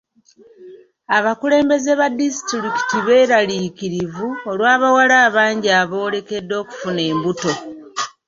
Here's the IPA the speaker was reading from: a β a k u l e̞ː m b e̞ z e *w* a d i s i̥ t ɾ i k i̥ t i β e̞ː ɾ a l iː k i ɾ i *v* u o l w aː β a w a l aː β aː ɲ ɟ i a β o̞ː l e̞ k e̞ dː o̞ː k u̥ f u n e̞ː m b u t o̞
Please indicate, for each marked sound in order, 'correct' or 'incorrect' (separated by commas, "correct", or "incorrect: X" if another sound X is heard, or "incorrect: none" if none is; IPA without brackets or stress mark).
incorrect: β, correct